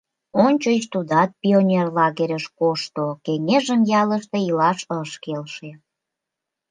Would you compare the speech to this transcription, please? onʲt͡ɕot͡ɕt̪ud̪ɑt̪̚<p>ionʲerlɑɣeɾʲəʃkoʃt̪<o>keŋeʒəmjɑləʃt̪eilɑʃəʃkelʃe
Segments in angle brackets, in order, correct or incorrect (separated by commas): correct, correct